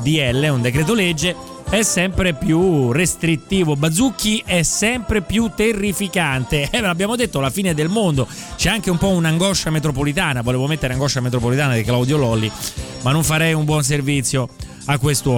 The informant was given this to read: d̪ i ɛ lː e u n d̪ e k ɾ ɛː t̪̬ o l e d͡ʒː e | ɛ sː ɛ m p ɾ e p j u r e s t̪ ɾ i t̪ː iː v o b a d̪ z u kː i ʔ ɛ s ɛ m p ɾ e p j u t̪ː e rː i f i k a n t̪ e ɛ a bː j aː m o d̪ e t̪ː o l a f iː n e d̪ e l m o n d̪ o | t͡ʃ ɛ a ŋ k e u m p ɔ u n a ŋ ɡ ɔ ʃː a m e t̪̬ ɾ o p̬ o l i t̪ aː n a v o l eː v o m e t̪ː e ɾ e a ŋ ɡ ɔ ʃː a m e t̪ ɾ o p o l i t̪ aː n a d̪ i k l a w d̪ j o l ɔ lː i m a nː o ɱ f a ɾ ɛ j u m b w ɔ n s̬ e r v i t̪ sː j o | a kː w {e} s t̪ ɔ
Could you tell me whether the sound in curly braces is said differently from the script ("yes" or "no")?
no